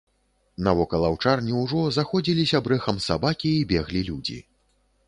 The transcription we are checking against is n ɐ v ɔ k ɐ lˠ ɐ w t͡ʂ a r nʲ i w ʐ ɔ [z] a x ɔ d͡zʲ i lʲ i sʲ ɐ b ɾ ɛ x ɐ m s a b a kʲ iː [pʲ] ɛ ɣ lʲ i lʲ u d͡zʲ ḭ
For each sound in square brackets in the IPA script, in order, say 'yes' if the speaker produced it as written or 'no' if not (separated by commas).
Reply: yes, no